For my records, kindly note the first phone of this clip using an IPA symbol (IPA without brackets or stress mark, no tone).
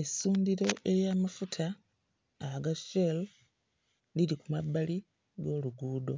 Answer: e